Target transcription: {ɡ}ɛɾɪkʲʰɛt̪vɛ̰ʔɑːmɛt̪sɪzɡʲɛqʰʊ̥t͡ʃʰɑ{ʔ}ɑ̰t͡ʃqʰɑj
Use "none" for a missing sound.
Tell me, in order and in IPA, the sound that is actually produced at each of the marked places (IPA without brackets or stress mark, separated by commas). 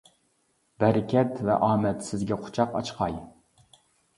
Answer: b, q